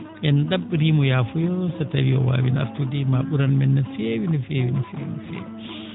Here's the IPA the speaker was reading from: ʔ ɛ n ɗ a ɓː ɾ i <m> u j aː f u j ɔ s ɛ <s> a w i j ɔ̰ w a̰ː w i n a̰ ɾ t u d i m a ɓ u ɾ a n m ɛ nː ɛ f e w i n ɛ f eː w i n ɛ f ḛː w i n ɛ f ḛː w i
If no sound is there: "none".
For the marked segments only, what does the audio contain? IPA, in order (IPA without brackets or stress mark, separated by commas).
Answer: m, t